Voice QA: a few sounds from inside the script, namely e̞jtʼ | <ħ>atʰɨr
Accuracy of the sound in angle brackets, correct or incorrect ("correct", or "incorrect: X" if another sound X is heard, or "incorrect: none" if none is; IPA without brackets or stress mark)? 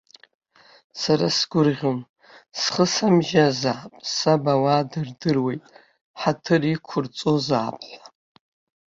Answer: correct